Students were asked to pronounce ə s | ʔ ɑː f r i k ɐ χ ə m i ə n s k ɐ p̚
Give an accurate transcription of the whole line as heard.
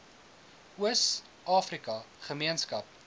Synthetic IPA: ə s | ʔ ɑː f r i k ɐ χ ə m i ə n s k ɐ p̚